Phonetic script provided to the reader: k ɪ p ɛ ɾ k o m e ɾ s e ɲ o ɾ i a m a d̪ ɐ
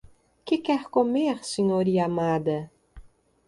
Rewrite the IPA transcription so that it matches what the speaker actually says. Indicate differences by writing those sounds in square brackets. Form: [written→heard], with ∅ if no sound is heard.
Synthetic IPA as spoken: k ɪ [p→k] ɛ ɾ k o m e ɾ s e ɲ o ɾ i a m a d̪ ɐ